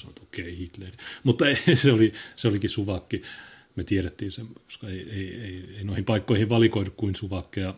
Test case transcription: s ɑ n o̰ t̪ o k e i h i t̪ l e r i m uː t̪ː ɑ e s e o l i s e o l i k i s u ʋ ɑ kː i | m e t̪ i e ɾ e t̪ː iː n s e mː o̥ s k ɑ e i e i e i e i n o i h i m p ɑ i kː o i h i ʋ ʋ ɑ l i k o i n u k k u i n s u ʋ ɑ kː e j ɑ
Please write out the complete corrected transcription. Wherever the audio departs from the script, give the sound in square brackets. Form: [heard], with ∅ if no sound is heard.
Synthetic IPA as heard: s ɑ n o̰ t̪ o k e i h i t̪ l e r i m [u] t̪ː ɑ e s e o l i s e o l i k i s u ʋ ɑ kː i | m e t̪ i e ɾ e t̪ː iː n s e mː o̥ s k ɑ e i e i e i e i n o i h i m p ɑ i kː o i h i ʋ ʋ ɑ l i k o i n u k k u i n s u ʋ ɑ kː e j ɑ